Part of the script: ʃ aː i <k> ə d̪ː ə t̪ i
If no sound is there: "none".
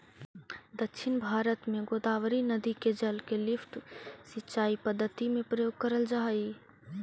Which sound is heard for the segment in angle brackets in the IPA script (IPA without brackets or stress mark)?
p